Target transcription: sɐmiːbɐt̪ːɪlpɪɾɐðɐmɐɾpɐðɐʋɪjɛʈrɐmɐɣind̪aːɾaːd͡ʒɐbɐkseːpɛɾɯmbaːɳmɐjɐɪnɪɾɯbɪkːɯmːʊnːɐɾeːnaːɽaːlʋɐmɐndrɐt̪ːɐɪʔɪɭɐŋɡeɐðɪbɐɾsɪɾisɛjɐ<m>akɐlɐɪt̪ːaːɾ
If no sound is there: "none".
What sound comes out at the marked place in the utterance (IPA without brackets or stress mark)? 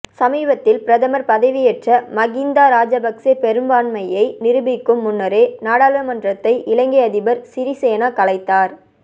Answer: n